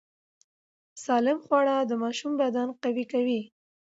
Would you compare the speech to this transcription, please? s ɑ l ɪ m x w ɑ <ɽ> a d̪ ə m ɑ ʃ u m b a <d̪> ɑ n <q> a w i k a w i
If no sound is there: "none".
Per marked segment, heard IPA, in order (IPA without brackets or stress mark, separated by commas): ɽ, d̪, q